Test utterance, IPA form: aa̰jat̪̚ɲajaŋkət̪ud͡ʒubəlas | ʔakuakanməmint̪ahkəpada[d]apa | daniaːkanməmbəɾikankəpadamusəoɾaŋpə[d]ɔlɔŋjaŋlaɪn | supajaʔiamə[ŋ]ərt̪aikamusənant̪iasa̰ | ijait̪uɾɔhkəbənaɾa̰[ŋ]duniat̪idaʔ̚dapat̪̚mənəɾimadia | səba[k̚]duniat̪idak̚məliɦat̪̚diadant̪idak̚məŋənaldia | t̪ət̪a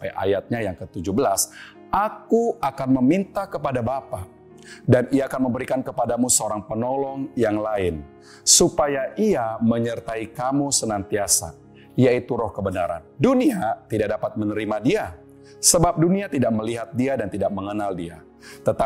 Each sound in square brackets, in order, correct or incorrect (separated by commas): incorrect, incorrect, incorrect, incorrect, incorrect